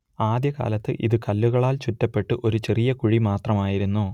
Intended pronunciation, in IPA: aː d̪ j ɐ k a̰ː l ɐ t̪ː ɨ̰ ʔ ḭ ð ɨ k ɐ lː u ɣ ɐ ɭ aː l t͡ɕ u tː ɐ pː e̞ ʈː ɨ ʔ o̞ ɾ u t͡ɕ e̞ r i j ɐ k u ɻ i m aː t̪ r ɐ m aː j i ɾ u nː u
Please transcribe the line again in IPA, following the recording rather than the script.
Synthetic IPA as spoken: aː d̪ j ɐ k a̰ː l ɐ t̪ː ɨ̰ ʔ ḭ ð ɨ k ɐ lː u ɣ ɐ ɭ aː l t͡ɕ u tː ɐ pː e̞ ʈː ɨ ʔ o̞ ɾ u t͡ɕ e̞ r i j ɐ k u ɻ i m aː t̪ r ɐ m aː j i ɾ u nː u